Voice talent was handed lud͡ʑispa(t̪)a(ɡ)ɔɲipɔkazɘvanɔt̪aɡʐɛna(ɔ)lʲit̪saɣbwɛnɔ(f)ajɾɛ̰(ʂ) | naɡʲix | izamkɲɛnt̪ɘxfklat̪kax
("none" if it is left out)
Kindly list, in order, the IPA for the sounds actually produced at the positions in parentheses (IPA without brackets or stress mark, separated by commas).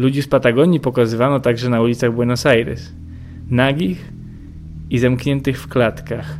t̪, ɡ, u, s, s